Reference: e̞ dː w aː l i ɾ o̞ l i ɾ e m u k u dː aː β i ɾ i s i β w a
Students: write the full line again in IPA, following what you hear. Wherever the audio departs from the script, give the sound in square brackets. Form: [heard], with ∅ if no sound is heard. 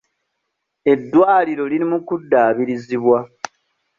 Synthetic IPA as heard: e̞ dː w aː l i ɾ o̞ l i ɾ [i] m u k u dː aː β i ɾ i [z] i β w a